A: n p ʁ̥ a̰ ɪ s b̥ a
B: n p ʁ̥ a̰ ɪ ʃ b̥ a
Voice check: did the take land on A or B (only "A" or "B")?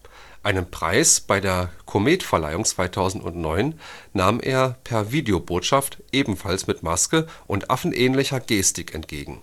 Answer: A